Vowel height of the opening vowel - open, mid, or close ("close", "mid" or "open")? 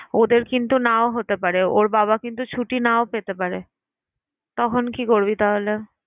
mid